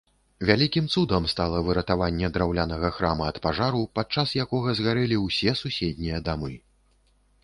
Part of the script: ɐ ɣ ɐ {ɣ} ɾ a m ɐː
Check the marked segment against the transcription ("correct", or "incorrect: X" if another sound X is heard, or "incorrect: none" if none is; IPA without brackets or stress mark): incorrect: x